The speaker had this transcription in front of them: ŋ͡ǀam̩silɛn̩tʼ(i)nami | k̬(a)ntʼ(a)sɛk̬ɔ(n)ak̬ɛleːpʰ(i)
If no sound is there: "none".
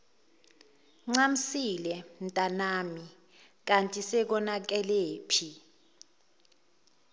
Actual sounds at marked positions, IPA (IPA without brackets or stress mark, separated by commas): a, a, i, n, i